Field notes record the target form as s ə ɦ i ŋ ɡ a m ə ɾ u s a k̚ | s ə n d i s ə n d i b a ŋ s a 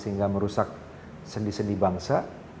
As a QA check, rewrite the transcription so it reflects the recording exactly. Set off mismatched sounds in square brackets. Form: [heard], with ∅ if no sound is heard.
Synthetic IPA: s ə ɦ i ŋ ɡ a m ə ɾ u s a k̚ | s ə n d i s ə n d i b a ŋ s a